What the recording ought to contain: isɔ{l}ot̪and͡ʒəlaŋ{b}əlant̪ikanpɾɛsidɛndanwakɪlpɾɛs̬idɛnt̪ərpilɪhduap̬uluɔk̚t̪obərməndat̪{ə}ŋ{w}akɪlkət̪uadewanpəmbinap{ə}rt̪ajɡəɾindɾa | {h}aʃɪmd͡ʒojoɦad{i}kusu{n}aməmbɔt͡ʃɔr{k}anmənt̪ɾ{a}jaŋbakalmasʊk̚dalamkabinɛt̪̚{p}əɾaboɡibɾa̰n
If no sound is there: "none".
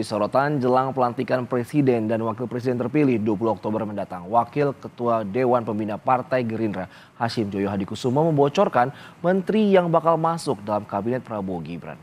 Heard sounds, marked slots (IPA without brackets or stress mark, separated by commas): ɾ, p, a, w, a, h, i, m, k, i, p